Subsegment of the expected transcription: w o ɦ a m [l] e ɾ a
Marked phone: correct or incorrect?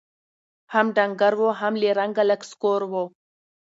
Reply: correct